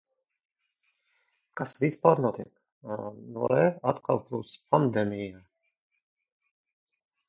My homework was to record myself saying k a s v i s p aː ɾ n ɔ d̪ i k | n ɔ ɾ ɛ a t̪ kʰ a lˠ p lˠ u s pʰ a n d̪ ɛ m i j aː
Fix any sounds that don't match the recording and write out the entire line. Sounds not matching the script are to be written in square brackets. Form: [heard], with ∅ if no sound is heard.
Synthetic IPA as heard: k a s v i s p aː ɾ n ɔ [t̪] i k | n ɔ ɾ ɛ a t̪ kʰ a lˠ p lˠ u s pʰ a n d̪ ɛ m i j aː